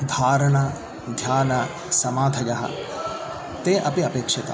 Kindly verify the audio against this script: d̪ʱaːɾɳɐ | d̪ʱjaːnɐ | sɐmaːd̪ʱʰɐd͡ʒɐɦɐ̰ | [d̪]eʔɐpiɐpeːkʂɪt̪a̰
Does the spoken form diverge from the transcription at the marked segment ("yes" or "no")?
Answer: yes